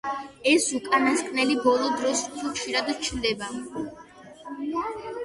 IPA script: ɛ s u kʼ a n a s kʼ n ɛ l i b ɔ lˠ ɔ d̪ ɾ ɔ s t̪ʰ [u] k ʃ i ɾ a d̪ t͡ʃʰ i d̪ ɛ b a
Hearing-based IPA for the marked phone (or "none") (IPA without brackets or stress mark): u